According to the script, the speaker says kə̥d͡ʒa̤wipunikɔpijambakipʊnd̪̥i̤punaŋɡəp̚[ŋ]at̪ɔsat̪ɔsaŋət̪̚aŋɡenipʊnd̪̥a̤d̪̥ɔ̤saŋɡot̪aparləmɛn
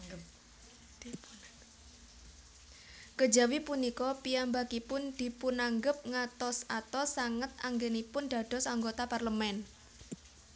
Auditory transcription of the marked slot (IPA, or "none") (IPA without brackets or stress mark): ŋ